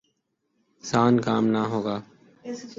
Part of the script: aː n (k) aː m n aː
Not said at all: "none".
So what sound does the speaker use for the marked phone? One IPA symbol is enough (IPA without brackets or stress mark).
k